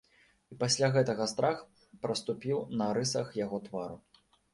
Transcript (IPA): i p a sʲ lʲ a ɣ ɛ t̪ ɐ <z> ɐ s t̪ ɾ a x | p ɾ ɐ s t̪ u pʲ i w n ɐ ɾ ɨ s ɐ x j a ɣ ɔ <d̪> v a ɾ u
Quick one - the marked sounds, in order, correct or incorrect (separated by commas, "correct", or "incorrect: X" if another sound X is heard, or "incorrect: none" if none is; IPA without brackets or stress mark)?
incorrect: ɣ, incorrect: t̪